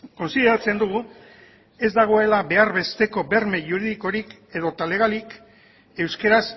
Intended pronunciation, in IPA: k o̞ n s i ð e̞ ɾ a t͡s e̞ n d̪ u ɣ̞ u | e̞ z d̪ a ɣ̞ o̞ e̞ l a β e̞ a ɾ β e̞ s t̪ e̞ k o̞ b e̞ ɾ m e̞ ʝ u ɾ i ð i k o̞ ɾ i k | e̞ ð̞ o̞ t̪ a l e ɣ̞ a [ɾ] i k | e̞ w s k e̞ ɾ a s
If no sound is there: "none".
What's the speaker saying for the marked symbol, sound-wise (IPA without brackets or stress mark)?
l